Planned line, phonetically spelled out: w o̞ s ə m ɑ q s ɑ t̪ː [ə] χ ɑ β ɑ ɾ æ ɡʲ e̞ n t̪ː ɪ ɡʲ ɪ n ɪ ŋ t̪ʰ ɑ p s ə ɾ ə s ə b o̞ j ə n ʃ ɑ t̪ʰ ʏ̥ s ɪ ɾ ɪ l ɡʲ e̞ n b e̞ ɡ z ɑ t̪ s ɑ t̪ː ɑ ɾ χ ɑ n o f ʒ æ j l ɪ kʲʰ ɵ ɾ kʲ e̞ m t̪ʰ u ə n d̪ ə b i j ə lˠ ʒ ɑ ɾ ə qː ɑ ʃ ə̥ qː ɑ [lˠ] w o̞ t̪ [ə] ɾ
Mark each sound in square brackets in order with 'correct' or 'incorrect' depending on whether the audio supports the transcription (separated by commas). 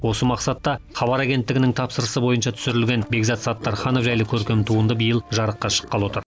incorrect, correct, correct